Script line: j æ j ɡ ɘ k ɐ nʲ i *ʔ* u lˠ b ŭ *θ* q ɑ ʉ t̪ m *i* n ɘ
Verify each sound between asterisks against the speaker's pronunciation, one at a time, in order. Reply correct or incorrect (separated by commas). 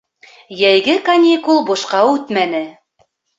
incorrect, incorrect, incorrect